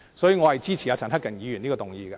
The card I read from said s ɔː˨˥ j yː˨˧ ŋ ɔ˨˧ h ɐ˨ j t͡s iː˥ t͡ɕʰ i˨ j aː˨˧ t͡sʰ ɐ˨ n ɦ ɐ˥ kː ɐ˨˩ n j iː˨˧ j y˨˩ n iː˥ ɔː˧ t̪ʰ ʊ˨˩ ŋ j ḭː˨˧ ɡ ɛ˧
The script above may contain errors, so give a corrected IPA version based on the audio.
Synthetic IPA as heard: s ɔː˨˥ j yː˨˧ ŋ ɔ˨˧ h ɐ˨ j t͡s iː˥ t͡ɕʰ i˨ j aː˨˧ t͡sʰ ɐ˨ n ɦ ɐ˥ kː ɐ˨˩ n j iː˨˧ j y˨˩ n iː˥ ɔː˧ t̪ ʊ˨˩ ŋ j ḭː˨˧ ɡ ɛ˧

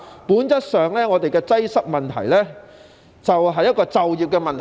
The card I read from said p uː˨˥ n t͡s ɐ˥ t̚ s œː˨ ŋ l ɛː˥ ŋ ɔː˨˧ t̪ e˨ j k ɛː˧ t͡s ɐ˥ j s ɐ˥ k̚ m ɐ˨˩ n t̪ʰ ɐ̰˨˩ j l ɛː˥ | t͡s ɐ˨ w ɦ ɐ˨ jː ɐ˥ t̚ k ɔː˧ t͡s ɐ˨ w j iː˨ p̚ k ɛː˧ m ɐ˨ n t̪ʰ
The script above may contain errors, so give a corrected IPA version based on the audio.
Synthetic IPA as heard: p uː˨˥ n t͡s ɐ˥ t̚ s œː˨ ŋ l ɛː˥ ŋ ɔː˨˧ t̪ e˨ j k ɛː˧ t͡s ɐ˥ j s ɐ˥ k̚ m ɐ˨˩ n t̪ʰ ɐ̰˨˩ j l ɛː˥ | t͡s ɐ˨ w ɦ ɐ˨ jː ɐ˥ t̚ k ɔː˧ t͡s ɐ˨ w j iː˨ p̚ k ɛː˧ m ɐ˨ n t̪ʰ

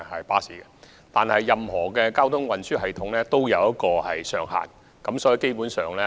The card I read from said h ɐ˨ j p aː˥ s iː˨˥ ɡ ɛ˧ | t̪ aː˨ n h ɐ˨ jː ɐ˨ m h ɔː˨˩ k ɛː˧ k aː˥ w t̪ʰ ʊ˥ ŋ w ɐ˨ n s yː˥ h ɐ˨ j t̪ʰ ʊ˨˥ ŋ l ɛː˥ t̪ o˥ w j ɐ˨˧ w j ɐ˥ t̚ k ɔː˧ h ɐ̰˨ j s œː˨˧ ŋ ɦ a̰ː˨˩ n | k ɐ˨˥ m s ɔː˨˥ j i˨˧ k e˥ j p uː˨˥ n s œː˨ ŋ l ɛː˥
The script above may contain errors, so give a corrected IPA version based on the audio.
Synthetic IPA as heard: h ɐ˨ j p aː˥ s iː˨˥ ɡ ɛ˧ | t̪ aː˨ n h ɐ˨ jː ɐ˨ m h ɔː˨˩ k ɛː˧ k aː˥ w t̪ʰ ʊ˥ ŋ w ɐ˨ n s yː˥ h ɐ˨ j t̪ʰ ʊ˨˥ ŋ l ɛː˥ t̪ o˥ w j ɐ˨˧ w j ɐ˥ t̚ k ɔː˧ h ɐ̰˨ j s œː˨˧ ŋ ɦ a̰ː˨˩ n | k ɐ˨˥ m s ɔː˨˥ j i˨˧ k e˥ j p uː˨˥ n s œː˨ ŋ l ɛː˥

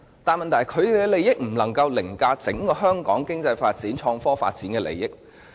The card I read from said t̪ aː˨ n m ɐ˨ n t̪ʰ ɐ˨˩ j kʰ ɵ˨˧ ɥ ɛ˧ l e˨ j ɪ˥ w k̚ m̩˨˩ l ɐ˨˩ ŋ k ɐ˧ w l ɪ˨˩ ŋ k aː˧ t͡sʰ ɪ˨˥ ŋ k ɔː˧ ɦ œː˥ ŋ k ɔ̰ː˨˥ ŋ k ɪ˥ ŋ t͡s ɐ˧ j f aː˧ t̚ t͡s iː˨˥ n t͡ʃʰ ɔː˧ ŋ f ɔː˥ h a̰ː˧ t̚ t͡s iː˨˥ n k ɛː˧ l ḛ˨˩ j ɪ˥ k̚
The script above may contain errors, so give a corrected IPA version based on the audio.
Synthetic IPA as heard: t̪ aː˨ n m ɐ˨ n t̪ʰ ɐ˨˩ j kʰ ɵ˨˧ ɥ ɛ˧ l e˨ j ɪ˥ k̚ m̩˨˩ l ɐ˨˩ ŋ k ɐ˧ w l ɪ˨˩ ŋ k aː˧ t͡s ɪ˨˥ ŋ k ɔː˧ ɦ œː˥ ŋ k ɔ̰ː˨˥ ŋ k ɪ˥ ŋ t͡s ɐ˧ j f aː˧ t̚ t͡s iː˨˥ n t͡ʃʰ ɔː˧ ŋ f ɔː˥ f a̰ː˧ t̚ t͡s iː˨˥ n k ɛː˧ l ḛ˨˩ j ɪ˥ k̚

